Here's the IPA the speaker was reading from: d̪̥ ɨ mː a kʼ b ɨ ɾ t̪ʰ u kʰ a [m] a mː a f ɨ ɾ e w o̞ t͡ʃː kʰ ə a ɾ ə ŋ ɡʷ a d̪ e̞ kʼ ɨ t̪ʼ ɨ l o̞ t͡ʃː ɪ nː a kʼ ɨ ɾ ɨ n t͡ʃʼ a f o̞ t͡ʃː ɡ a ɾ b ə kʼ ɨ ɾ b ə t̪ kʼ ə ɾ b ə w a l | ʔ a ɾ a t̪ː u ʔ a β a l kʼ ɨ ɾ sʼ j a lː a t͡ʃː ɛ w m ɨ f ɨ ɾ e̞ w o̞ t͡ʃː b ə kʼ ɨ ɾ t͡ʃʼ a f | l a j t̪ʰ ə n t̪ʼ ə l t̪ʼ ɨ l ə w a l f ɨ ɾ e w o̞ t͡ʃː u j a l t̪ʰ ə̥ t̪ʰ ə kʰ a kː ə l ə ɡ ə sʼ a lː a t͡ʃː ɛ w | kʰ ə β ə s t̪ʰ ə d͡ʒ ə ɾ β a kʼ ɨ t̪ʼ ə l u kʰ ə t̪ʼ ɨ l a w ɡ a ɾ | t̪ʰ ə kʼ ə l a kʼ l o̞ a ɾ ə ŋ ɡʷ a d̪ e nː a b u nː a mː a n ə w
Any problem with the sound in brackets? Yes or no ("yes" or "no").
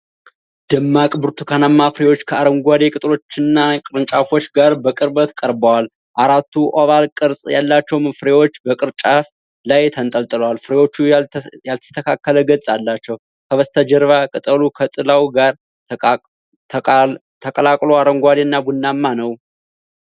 yes